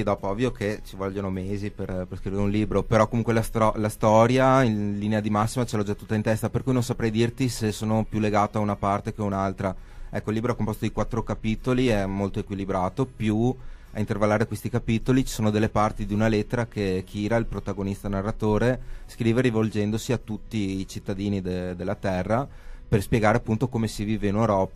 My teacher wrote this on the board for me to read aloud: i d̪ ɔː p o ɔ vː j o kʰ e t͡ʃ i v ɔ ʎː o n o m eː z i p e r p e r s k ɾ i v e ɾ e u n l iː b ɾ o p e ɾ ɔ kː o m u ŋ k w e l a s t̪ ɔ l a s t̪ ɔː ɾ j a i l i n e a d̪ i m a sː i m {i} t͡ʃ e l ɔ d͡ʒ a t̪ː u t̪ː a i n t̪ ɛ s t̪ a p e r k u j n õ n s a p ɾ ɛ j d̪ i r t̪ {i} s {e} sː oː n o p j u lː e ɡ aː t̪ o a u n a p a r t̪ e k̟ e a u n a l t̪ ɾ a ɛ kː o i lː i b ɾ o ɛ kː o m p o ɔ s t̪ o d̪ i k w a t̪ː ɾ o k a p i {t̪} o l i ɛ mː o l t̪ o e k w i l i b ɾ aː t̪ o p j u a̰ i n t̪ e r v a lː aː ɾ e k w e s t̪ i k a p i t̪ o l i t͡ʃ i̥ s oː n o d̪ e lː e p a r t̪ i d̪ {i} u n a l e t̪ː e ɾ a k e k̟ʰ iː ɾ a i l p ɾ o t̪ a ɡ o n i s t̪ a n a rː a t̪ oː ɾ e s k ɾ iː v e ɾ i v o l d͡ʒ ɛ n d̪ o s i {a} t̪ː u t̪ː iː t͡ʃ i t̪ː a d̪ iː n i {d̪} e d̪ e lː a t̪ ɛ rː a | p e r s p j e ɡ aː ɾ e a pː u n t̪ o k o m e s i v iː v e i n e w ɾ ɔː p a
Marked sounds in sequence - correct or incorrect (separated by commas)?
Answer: incorrect, correct, correct, correct, correct, correct, correct